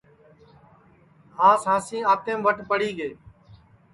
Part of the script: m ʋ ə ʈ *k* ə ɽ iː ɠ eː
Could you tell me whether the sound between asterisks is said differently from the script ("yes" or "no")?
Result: yes